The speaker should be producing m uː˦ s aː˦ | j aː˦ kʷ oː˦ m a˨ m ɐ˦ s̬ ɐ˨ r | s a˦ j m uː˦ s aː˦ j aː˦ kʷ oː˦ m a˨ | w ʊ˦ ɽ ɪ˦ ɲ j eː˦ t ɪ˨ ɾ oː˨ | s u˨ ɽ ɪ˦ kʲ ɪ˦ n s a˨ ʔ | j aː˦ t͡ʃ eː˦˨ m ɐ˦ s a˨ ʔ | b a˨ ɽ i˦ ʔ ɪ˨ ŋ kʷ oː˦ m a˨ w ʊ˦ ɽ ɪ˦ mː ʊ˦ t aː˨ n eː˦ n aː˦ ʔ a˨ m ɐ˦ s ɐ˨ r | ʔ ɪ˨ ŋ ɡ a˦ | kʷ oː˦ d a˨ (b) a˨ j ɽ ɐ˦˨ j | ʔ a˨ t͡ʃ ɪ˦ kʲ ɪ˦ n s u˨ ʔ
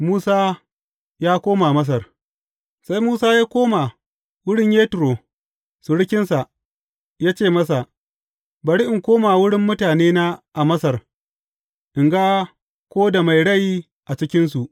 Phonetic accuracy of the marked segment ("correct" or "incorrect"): incorrect